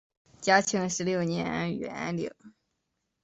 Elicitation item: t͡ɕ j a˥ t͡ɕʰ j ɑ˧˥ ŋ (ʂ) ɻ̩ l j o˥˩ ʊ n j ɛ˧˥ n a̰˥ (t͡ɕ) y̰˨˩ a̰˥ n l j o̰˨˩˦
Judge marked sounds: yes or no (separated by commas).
yes, no